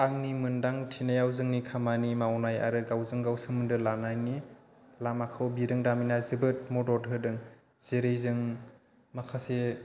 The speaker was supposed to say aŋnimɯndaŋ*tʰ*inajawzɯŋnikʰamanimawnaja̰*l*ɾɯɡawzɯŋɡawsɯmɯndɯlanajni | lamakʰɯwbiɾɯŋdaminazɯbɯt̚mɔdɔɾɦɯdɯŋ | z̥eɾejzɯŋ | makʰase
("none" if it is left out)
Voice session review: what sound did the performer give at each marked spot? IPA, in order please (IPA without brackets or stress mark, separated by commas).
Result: tʰ, none